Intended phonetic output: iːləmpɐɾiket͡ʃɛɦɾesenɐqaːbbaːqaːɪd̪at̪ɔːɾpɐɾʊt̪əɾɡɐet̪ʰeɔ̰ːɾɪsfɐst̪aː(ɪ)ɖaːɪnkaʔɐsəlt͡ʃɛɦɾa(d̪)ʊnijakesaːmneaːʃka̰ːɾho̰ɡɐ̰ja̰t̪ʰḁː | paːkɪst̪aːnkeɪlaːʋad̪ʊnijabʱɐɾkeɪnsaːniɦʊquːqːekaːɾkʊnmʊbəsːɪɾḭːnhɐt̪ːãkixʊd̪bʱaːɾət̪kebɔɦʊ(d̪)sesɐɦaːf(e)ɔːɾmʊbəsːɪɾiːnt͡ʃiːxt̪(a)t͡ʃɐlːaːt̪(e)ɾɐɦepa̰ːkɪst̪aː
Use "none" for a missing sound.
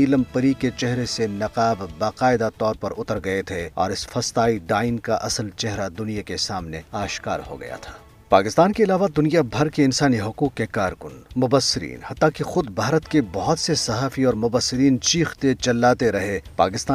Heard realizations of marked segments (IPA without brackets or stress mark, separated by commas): i, d̪, t̪, i, e, e